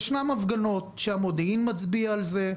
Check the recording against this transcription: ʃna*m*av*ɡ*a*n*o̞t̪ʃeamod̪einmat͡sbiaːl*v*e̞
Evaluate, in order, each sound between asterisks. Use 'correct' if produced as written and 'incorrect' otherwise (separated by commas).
correct, correct, correct, incorrect